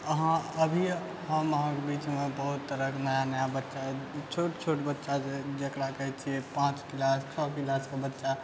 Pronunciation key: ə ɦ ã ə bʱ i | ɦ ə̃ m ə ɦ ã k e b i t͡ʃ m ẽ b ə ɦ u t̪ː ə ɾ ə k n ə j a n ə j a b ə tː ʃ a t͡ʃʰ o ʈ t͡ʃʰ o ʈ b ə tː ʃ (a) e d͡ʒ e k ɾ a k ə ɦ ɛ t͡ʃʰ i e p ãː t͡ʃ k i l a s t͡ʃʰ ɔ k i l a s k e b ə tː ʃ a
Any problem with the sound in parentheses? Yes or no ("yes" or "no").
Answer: no